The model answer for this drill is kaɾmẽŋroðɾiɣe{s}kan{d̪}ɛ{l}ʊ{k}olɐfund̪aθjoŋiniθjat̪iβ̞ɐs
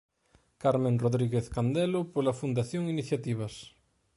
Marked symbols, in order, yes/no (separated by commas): no, yes, yes, no